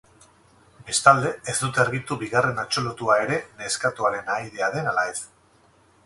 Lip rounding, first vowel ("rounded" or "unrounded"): unrounded